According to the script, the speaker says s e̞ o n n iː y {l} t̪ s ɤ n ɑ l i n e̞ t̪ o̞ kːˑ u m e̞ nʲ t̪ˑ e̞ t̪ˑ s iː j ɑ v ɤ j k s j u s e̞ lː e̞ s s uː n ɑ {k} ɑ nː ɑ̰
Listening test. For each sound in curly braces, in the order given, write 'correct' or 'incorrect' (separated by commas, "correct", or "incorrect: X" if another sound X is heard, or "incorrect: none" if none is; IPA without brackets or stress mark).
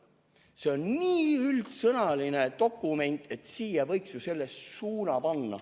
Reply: correct, incorrect: p